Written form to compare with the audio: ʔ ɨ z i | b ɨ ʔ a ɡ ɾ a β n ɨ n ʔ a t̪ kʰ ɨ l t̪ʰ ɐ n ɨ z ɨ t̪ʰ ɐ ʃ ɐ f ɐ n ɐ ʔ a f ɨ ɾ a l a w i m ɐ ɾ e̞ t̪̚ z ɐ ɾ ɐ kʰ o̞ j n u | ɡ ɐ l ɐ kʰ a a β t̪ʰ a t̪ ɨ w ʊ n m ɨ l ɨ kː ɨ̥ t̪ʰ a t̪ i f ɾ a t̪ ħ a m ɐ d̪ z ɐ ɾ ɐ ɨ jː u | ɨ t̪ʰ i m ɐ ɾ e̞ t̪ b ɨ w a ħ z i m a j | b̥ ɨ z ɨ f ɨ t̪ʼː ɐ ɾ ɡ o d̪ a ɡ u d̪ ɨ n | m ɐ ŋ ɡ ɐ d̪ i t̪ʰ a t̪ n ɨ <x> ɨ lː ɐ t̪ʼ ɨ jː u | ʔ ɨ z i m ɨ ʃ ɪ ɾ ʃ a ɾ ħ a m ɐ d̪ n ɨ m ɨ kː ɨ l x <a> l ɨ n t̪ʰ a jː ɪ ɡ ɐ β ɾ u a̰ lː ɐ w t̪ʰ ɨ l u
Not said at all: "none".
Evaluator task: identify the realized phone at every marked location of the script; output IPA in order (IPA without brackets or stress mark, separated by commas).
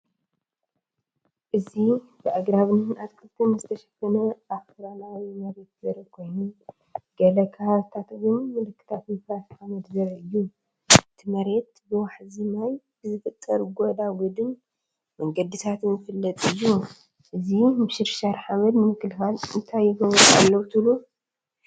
f, a